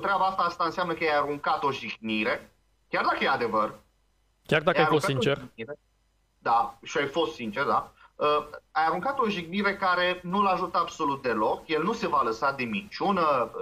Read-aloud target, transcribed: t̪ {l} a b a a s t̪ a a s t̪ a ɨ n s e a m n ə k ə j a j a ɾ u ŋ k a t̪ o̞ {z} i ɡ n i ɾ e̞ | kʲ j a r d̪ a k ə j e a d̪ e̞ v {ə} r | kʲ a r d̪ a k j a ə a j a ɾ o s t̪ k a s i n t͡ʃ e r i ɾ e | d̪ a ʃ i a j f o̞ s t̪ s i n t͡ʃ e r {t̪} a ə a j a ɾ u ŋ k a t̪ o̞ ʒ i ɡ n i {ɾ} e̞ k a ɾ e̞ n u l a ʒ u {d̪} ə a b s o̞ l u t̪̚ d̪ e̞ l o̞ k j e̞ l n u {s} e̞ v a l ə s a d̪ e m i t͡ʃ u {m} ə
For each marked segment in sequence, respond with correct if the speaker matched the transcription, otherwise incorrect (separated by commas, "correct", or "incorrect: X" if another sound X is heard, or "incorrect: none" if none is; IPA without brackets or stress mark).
incorrect: ɾ, incorrect: ʒ, correct, incorrect: d̪, correct, incorrect: t̪, correct, incorrect: n